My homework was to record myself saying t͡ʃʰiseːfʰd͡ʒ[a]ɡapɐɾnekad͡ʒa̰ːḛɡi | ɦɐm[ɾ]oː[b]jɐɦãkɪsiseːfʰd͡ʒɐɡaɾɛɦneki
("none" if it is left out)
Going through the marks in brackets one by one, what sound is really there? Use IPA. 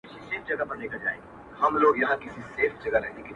ɐ, l, ɡ

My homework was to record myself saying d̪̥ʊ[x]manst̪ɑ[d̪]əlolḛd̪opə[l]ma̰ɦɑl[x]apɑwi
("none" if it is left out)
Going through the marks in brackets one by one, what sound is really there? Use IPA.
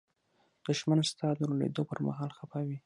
ʃ, d̪, ɾ, x

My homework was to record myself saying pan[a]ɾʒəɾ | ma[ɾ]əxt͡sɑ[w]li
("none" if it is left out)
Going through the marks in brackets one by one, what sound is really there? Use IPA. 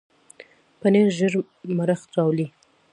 e, ɾ, w

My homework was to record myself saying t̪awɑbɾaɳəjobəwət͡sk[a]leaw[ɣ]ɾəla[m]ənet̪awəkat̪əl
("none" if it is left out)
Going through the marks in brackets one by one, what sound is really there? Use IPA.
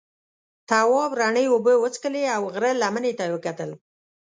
ə, ɣ, m

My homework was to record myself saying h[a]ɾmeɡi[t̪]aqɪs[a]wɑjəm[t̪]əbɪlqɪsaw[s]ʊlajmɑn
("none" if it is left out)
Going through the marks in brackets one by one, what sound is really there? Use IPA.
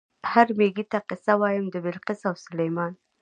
a, t̪, a, d̪, s

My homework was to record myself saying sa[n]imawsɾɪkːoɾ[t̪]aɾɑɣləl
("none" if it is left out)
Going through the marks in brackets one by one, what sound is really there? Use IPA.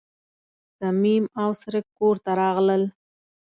m, t̪

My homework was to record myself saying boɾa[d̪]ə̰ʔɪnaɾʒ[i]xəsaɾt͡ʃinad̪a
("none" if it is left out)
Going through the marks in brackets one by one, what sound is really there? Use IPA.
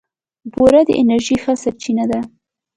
d̪, i

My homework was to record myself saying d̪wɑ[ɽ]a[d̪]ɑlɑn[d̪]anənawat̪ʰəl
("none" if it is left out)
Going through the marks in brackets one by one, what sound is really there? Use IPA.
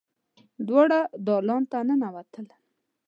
ɽ, d̪, t̪

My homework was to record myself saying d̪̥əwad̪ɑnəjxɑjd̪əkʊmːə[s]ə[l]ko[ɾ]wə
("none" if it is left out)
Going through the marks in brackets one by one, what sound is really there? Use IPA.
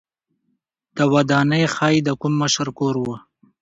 ʃ, ɾ, ɾ

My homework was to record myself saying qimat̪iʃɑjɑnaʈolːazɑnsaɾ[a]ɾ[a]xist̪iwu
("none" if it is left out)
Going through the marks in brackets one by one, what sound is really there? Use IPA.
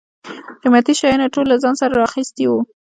a, ɑ

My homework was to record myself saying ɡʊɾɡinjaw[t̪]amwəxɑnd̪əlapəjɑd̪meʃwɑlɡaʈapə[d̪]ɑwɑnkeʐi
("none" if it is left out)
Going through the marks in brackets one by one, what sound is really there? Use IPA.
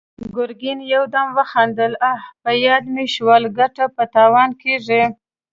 d̪, t̪

